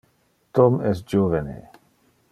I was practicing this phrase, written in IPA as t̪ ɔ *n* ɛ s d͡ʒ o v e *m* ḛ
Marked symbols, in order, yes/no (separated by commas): no, no